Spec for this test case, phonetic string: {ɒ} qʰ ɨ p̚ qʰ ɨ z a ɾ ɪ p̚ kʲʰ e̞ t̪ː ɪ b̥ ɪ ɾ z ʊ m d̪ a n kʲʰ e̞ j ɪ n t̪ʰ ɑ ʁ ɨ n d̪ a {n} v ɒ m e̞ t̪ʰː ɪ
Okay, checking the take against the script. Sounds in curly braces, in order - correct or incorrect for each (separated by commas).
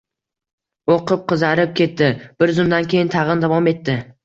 incorrect, incorrect